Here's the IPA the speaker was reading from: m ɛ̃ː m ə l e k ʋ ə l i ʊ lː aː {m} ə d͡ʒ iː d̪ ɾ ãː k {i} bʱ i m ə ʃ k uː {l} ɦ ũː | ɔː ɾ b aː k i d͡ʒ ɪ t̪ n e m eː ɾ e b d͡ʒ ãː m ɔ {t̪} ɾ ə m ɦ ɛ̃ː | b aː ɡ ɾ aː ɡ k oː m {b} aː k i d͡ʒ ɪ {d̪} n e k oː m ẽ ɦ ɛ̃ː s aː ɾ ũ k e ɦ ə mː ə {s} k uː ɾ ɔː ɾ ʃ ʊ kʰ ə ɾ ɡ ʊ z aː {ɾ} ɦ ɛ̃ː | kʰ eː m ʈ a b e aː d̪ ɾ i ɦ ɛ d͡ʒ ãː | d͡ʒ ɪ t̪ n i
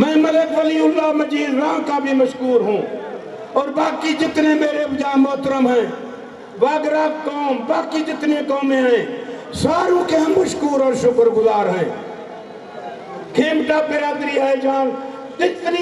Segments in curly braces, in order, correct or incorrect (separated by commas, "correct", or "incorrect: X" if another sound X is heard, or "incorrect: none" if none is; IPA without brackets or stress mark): correct, incorrect: a, incorrect: ɾ, correct, correct, incorrect: t̪, incorrect: ʃ, correct